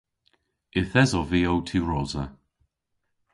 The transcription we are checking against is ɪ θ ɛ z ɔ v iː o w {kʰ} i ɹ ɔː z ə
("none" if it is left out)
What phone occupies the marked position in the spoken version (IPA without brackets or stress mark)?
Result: tʰ